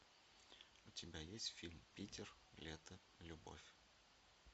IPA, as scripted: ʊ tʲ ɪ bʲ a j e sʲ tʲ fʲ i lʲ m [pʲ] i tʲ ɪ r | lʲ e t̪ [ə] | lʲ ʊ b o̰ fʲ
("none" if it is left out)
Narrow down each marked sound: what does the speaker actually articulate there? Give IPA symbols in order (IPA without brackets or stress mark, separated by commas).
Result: pʲ, ə